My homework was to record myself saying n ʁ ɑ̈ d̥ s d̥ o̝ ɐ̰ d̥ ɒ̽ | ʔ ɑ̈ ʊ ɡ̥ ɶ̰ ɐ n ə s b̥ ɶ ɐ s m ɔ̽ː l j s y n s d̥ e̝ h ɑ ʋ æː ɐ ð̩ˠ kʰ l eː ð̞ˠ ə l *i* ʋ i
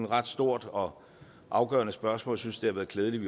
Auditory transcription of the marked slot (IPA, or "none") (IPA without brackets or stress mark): i